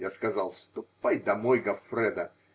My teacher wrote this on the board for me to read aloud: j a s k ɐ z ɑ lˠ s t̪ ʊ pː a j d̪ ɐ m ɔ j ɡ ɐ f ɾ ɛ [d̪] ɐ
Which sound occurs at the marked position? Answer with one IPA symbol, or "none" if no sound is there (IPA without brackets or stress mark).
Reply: d̪